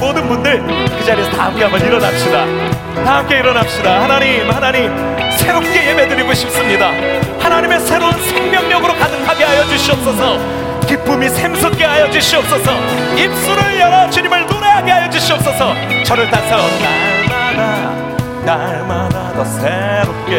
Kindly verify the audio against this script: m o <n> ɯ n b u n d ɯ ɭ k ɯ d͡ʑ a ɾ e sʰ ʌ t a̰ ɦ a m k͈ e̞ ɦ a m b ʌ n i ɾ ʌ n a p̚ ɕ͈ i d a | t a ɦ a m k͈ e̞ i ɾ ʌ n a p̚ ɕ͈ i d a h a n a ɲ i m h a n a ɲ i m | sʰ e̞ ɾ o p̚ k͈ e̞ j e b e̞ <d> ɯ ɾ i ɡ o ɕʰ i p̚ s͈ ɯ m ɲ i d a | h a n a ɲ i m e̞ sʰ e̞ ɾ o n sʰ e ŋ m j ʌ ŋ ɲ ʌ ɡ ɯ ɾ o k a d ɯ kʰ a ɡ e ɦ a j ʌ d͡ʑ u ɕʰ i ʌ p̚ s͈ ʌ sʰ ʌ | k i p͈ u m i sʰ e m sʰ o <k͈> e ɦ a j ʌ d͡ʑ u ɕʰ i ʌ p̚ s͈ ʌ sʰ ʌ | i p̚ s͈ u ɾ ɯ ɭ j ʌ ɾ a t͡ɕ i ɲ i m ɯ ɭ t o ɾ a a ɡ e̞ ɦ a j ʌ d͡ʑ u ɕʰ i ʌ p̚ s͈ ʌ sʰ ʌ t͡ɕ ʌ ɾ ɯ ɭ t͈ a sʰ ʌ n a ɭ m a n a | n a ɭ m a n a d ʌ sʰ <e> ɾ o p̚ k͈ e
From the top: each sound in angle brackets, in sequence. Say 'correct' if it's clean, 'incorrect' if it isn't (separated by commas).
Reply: incorrect, correct, correct, correct